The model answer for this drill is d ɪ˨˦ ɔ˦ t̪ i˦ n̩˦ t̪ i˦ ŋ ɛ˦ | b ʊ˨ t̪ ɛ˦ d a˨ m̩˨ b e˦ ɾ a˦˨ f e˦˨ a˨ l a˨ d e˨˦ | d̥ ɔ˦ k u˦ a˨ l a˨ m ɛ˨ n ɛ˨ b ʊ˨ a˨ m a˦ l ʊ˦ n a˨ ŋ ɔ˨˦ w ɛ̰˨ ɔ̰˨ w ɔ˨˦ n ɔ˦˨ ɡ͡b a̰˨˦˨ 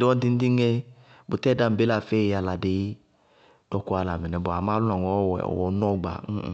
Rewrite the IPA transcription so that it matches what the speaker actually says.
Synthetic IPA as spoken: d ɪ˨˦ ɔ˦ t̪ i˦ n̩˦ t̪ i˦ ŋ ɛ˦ | b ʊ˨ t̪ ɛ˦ d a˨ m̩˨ b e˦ l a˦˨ f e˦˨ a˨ l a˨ d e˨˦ | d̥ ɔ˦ k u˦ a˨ l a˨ m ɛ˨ n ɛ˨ b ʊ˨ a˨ m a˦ l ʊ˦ n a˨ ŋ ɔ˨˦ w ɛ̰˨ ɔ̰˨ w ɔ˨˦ n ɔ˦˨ ɡ͡b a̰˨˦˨